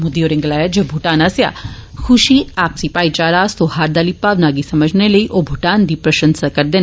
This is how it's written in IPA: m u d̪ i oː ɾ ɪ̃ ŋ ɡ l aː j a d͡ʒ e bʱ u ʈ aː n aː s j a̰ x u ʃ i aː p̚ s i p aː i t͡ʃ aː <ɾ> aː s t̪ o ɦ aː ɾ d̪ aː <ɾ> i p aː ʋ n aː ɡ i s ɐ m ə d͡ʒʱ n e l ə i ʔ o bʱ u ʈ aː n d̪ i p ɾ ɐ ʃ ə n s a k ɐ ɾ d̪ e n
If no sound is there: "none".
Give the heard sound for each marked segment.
ɾ, l

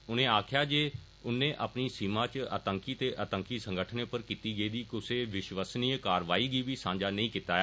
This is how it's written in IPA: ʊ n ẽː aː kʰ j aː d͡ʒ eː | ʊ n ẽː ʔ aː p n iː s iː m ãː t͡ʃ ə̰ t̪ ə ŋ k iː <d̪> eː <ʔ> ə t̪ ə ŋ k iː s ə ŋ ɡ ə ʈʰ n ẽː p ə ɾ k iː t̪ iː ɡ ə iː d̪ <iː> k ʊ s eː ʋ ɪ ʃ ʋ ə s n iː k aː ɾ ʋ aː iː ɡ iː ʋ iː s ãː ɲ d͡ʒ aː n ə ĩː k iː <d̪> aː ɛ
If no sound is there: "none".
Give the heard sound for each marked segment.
t̪, ʔ, iː, t̪

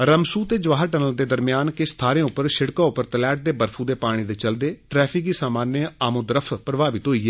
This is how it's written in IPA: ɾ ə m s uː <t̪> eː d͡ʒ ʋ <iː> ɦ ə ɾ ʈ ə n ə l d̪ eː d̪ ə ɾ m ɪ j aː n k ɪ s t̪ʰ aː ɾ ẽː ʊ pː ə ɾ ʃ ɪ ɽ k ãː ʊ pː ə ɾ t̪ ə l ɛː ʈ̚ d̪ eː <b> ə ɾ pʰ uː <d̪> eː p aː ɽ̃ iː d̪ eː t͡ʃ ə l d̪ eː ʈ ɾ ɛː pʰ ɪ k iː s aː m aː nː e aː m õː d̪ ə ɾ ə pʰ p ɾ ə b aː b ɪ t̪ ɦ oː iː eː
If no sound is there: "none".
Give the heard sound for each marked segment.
t̪, aː, b, d̪

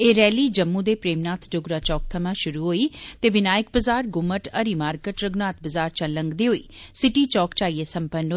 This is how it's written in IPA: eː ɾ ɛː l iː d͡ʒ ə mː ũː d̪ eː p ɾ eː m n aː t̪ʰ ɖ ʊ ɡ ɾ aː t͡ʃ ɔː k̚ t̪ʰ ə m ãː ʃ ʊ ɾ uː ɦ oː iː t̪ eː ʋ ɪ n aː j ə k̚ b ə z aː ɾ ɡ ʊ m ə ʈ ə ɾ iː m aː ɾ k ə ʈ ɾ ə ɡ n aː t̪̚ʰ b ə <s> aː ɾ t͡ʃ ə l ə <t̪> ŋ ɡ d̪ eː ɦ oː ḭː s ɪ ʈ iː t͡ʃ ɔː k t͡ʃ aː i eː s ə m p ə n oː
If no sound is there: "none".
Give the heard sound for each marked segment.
z, none

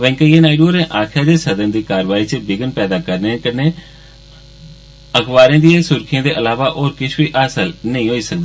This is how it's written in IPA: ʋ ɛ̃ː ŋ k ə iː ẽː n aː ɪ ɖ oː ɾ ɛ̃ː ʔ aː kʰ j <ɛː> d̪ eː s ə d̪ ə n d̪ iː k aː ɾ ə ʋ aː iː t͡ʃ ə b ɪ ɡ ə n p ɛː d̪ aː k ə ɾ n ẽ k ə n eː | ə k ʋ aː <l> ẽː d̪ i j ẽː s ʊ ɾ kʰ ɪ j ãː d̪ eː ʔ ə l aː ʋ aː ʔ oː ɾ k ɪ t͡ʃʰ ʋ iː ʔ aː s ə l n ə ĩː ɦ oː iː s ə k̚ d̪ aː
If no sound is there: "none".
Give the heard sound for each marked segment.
aː, ɾ

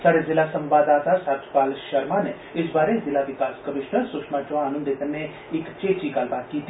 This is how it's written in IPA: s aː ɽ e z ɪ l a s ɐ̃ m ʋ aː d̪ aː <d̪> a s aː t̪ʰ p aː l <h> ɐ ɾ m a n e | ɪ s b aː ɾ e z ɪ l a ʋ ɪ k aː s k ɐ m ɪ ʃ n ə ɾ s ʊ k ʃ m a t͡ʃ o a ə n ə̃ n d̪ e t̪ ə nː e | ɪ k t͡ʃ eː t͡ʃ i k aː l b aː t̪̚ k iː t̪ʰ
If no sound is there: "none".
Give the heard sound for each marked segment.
t̪, ʃ

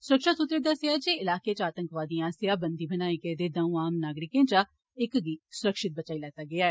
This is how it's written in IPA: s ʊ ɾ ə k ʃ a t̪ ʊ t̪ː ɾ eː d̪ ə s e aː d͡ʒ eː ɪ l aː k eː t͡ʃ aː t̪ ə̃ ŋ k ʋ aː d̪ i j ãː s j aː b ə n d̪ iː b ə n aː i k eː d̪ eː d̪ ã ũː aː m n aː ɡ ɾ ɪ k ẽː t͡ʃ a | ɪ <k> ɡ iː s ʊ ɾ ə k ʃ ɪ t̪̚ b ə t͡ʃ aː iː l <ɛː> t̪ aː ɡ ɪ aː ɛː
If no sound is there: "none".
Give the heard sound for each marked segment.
k, ɛː

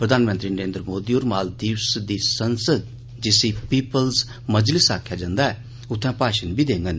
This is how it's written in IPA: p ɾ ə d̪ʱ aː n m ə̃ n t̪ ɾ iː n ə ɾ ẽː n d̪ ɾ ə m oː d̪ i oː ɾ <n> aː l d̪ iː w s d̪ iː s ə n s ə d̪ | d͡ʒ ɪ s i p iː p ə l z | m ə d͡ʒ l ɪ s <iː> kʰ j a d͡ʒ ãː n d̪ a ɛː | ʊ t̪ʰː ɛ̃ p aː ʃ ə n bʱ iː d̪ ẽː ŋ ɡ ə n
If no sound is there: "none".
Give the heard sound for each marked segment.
m, aː

